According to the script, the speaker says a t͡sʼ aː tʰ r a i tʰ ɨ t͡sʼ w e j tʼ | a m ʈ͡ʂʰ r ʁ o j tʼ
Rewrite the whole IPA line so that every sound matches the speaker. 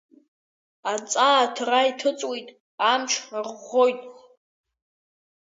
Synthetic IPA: a t͡sʼ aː tʰ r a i tʰ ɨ t͡sʼ w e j tʼ | a m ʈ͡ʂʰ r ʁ o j tʼ